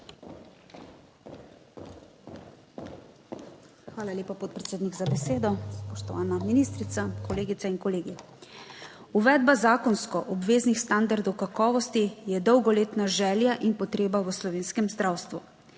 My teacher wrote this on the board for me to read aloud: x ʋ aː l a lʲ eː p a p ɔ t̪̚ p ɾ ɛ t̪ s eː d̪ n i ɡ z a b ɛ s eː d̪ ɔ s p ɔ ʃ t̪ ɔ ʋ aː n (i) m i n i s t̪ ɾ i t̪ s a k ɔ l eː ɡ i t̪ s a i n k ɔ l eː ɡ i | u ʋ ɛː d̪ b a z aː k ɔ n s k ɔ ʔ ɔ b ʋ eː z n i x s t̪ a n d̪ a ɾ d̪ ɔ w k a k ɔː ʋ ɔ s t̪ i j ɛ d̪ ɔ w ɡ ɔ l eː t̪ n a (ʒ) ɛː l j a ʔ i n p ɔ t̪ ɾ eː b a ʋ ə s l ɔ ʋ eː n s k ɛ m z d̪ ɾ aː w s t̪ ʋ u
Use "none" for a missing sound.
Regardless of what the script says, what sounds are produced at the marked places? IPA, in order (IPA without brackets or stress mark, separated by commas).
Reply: a, ʒ